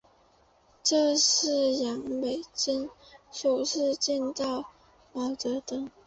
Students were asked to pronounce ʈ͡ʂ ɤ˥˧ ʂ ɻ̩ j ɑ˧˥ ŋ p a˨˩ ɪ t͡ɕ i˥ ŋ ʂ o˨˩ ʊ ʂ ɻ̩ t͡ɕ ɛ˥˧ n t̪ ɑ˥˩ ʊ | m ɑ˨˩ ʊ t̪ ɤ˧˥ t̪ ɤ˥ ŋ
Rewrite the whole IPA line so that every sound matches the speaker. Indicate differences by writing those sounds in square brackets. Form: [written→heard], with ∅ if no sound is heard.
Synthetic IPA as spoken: ʈ͡ʂ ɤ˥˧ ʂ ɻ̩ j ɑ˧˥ ŋ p [a˨˩→e˨˩] ɪ t͡ɕ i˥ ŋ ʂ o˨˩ ʊ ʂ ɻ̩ t͡ɕ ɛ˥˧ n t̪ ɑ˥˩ ʊ | m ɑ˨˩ ʊ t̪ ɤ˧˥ t̪ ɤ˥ ŋ